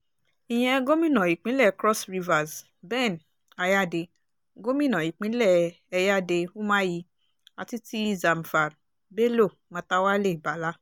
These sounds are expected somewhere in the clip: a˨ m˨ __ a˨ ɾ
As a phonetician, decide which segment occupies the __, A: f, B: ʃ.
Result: A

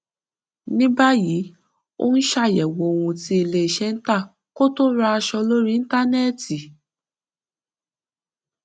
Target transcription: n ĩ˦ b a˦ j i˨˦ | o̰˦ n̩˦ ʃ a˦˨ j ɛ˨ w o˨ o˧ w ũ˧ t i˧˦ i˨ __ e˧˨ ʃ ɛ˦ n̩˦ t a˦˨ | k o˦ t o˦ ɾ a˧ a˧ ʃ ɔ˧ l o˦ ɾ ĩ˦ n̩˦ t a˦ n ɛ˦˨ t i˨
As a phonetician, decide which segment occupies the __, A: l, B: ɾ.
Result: A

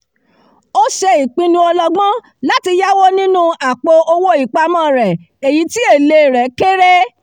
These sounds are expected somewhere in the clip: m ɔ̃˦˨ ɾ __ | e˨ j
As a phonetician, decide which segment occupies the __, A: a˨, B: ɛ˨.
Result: B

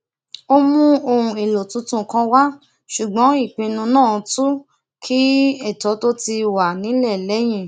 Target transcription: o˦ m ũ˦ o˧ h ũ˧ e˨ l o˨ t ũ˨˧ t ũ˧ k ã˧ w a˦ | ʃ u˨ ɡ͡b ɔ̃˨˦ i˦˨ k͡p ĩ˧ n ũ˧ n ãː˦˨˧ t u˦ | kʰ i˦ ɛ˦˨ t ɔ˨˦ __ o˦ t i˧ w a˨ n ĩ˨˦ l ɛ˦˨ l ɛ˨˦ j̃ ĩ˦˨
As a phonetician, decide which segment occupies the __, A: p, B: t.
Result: B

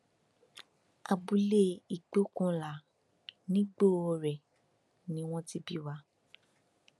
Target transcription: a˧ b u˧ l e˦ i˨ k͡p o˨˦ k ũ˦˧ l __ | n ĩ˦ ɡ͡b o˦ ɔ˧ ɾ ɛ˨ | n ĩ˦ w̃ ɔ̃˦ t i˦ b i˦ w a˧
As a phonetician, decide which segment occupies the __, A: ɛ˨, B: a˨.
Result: B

